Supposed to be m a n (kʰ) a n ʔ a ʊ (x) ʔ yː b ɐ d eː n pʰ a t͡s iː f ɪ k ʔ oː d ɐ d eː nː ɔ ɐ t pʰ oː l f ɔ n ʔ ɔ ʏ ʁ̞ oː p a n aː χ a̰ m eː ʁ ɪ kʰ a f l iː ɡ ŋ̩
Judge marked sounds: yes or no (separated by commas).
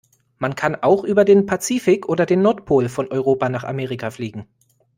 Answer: yes, yes